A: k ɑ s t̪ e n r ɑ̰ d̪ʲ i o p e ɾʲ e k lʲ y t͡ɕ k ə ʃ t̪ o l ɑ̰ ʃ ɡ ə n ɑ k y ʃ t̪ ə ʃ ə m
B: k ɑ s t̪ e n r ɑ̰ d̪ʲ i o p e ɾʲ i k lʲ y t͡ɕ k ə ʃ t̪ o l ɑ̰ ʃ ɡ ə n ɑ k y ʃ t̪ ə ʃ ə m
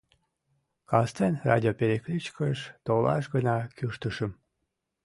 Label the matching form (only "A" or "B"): A